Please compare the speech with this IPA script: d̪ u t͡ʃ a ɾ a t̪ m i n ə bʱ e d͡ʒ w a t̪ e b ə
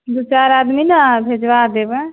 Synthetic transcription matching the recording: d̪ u t͡ʃ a ɾ a d̪ m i n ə bʱ e d͡ʒ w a d̪ e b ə